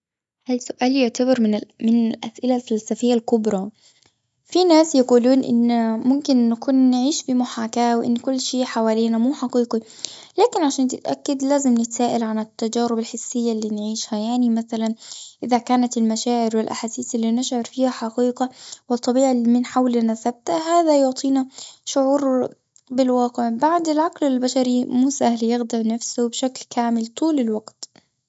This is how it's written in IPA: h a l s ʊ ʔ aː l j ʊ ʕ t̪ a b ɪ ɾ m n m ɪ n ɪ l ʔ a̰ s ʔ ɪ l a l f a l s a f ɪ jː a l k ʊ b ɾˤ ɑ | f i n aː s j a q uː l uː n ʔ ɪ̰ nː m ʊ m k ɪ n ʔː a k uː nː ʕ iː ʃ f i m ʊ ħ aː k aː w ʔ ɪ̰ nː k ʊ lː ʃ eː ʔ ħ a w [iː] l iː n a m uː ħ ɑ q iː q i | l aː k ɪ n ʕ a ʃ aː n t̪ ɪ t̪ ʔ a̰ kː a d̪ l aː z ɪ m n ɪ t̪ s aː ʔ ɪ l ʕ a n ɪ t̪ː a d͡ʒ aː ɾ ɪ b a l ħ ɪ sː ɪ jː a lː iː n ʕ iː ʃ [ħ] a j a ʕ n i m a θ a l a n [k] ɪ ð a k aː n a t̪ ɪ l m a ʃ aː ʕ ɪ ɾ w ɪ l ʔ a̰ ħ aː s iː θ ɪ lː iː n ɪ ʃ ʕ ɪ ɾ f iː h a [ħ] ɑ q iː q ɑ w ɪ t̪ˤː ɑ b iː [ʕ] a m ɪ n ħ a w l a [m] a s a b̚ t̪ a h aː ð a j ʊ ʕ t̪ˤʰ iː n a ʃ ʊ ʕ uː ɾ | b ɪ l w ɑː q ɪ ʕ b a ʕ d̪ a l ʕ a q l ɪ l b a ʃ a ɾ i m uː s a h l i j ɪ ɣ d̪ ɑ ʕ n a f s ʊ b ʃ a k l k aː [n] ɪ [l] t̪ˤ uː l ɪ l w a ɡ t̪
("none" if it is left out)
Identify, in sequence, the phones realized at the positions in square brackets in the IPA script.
aː, h, ʔ, ħ, ʕ, n, m, l

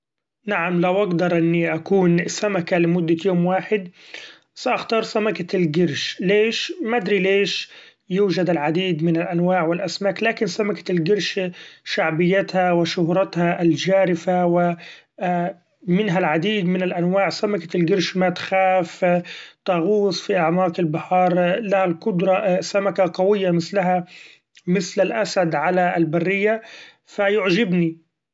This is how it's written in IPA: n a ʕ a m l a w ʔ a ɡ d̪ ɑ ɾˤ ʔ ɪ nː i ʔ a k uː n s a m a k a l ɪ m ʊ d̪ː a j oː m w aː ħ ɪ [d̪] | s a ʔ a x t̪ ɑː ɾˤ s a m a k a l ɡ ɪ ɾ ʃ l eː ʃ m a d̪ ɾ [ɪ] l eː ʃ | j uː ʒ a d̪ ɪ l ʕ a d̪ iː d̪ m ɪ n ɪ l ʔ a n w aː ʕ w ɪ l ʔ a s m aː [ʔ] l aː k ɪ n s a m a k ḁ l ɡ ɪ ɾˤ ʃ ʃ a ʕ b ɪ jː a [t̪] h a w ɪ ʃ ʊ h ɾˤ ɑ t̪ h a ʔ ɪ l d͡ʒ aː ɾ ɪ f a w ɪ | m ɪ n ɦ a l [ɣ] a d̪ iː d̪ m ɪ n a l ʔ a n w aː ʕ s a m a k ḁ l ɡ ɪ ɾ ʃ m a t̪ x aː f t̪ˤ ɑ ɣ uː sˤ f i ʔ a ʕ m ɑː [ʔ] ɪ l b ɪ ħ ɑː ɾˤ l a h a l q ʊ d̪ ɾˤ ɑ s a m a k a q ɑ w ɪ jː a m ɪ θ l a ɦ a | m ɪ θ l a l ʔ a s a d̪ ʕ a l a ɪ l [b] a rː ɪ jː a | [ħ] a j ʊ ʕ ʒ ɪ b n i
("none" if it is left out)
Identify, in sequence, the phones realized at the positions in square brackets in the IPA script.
d̪, i, k, t̪, ʕ, q, b, f

